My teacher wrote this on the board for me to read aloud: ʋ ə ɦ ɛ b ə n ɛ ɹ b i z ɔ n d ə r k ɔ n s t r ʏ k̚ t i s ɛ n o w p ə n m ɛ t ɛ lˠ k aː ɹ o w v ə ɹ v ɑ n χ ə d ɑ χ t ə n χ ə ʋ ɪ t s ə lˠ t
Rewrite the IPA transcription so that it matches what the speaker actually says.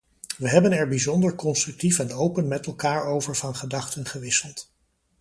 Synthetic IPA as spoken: ʋ ə ɦ ɛ b ə n ɛ ɹ b i z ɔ n d ə ɹ k ɔ n s t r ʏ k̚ t i f ɛ n o w p ə n m ɛ t ɛ lˠ k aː ɹ o w v ə ɹ v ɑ n χ ə d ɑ χ t ə n χ ə ʋ ɪ s ə lˠ t